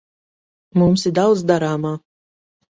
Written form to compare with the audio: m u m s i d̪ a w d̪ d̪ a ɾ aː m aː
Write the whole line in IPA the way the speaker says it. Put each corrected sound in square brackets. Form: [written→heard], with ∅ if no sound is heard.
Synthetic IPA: m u m s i d̪ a w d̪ d̪ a ɾ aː m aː